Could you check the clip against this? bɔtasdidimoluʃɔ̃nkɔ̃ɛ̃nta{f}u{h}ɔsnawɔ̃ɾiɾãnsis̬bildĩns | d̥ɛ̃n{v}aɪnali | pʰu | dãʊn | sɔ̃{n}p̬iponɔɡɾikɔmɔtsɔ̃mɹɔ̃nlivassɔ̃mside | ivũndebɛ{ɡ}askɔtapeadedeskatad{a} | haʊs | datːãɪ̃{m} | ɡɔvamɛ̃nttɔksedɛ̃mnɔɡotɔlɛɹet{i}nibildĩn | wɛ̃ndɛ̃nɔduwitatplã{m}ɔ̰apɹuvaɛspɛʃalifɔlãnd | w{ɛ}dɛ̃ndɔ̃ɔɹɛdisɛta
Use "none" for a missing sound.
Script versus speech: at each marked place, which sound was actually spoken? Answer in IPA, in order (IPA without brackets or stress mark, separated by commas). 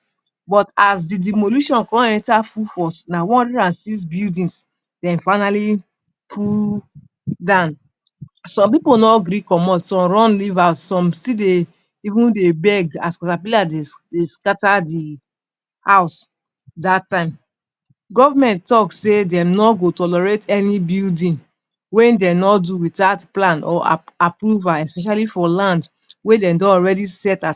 f, f, f, m, ɡ, i, m, ɛ, n, e